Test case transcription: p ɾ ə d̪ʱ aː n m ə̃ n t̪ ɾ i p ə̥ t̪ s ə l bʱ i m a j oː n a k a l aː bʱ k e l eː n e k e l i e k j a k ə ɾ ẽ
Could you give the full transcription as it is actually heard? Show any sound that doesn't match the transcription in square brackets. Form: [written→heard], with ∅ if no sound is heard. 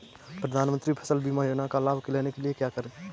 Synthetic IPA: p ɾ ə d̪ʱ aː n m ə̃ n t̪ ɾ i [p→pʰ] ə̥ [t̪→∅] s ə l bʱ i m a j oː n a k a l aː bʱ k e l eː n e k e l i e k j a k ə ɾ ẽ